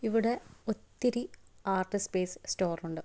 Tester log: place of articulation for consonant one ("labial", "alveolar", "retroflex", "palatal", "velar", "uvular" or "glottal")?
labial